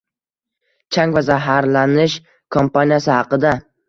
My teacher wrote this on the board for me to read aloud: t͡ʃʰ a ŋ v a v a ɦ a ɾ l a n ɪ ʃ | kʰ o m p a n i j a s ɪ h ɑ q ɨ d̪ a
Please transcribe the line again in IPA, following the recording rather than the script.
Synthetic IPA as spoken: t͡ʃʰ a ŋ v a z a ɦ a ɾ l a n ɪ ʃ | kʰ o m p a n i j a s ɪ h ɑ q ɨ d̪ a